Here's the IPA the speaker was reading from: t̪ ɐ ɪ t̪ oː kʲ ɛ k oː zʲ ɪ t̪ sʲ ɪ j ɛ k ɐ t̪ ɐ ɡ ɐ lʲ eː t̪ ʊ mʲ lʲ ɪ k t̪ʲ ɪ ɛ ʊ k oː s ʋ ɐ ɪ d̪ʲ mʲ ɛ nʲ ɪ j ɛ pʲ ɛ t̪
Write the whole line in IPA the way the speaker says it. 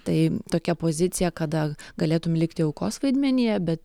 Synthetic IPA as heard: t̪ ɐ ɪ t̪ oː kʲ ɛ p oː zʲ ɪ t̪ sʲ ɪ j ɛ k ɐ d̪ ɐ ɡ ɐ lʲ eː t̪ ʊ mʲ lʲ ɪ k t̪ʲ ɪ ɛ ʊ k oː s ʋ ɐ ɪ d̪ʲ mʲ ɛ nʲ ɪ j ɛ bʲ ɛ t̪